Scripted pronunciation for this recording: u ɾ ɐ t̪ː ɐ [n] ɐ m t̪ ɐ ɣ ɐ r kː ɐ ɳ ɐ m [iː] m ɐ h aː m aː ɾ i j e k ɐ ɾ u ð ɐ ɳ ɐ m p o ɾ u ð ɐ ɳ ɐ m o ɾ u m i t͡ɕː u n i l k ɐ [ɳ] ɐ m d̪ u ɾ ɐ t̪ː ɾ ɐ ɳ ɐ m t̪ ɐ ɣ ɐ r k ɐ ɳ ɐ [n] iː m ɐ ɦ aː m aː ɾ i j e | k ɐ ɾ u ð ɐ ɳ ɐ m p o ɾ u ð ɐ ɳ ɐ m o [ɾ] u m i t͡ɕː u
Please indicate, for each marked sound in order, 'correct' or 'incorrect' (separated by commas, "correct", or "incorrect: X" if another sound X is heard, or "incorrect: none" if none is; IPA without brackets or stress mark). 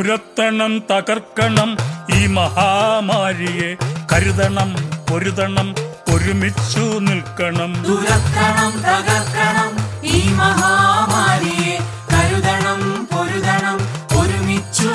incorrect: ɳ, correct, correct, incorrect: m, correct